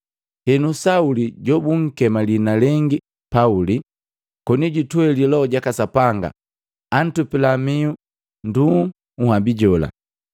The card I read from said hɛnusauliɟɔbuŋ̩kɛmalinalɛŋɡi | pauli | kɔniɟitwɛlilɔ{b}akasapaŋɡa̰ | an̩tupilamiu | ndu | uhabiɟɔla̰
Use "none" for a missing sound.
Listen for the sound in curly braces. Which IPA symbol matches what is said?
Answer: ɟ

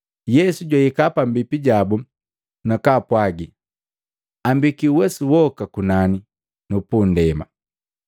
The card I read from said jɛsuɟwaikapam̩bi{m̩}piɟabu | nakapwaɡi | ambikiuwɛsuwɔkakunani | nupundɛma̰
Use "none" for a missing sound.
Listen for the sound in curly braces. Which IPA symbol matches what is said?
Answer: none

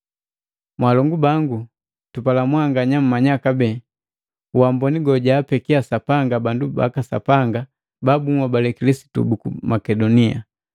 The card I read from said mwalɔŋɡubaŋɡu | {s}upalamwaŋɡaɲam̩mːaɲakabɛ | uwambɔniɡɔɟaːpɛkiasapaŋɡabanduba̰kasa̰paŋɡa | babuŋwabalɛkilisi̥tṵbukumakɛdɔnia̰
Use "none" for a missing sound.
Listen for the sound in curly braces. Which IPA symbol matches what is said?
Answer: t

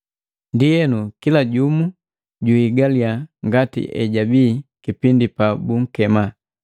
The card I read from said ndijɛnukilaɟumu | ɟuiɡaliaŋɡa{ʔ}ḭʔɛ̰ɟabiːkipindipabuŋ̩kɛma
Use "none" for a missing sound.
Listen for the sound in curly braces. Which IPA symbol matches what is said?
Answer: t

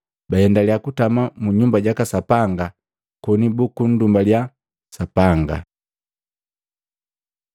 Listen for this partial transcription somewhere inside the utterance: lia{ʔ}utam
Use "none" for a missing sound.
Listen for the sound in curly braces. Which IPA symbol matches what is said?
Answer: k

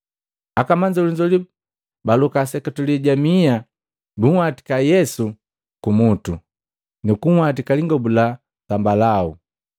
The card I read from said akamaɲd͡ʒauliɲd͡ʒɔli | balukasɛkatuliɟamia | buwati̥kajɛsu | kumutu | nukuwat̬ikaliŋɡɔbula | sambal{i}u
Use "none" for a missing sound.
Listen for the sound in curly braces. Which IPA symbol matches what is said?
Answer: a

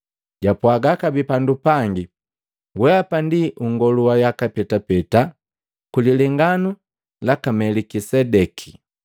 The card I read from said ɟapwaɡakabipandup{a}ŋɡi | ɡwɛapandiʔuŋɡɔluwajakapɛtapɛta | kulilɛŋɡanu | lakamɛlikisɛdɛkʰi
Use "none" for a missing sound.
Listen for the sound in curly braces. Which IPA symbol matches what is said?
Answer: a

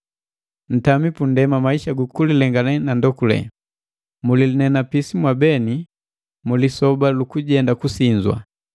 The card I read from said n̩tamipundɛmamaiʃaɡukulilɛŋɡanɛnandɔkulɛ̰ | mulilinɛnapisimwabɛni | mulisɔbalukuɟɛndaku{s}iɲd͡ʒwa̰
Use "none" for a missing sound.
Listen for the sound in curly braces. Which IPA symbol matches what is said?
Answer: s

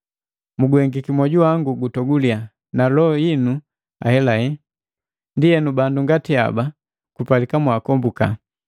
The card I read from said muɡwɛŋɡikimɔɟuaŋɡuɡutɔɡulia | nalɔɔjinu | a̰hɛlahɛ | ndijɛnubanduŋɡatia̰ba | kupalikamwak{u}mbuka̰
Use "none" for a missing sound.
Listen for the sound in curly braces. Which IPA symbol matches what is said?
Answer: ɔ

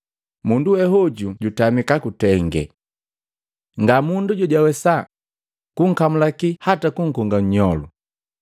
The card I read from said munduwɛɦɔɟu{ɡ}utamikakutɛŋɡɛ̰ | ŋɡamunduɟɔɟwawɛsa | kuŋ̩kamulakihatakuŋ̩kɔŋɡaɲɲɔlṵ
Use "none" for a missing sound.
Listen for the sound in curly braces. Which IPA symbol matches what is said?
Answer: ɟ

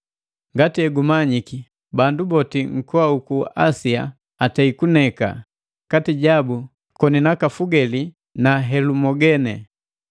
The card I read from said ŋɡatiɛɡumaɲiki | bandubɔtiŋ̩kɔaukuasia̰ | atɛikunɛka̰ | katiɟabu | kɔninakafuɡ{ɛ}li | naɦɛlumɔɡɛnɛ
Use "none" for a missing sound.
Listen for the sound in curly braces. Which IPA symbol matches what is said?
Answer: ɛ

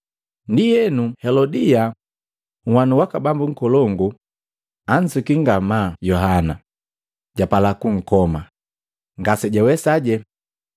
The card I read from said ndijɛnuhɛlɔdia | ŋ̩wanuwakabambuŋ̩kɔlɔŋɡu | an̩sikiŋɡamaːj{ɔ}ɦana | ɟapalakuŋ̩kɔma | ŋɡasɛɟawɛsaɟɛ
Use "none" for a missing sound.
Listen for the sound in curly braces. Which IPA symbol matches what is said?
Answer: ɔ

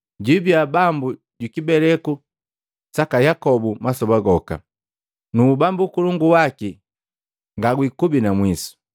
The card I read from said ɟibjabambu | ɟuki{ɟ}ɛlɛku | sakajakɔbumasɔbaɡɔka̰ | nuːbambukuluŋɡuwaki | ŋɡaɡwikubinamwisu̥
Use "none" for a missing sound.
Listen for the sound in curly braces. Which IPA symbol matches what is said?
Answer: b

